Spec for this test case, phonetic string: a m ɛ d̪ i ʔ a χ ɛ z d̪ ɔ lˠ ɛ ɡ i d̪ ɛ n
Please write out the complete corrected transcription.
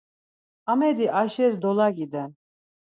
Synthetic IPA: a m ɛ d̪ i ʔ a ʃ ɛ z d̪ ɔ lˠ a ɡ i d̪ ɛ n